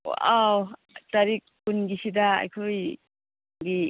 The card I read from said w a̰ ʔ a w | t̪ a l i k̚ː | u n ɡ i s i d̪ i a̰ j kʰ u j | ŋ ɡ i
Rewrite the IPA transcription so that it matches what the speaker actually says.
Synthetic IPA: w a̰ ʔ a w | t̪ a ɾ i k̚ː | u n ɡ i s i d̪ a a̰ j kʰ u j | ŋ ɡ i